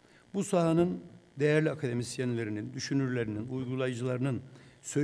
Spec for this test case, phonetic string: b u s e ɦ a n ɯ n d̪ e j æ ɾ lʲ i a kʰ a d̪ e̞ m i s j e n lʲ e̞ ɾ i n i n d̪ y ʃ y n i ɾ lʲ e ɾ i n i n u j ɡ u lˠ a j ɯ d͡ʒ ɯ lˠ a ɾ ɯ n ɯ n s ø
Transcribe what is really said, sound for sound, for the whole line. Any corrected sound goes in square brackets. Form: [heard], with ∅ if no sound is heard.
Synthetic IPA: b u s [a] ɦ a n ɯ n d̪ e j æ ɾ lʲ i a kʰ a d̪ e̞ m i s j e n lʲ e̞ ɾ i n i n d̪ y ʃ y n [y] ɾ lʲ e ɾ i n i n u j ɡ u lˠ a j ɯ d͡ʒ ɯ lˠ a ɾ ɯ n ɯ n s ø